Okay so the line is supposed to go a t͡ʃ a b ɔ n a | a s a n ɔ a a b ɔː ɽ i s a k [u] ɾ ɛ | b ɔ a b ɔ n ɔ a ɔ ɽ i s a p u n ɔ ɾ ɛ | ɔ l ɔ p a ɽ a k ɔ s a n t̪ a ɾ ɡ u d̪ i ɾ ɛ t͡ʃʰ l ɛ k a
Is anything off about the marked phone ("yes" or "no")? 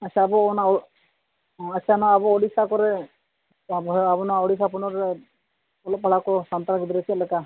yes